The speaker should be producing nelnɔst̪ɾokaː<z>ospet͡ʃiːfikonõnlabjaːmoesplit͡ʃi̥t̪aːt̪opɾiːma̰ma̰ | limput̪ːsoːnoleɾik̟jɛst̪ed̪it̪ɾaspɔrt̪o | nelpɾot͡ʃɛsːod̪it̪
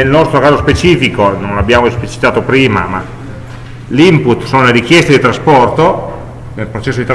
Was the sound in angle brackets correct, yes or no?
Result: yes